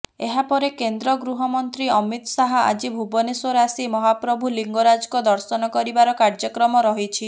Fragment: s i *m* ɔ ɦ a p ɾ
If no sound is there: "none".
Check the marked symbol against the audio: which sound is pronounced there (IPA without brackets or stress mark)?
m